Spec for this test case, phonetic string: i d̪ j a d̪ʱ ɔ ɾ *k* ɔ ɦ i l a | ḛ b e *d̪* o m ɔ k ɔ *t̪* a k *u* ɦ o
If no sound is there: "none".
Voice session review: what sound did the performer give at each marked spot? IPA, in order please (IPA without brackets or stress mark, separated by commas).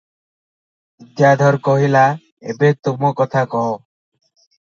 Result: k, t̪, t̪ʰ, ɔ